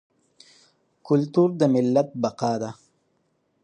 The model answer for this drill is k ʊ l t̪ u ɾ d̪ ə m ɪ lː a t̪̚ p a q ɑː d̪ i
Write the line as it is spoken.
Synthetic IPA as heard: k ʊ l t̪ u ɾ d̪ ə m ɪ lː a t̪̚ b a q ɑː d̪ a